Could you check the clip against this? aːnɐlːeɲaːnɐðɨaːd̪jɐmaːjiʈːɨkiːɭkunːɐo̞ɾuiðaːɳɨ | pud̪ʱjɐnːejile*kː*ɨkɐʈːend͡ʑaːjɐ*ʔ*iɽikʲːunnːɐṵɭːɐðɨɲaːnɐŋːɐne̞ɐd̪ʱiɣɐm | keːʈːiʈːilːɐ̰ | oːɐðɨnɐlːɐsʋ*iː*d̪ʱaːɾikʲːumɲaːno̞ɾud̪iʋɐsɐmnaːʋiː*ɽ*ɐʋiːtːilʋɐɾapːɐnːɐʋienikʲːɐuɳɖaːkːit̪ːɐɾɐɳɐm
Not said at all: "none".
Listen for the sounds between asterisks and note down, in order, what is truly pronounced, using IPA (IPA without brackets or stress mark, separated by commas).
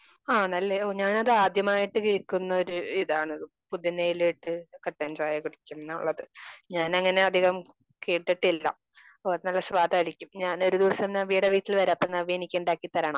ʈː, k, aː, ɽ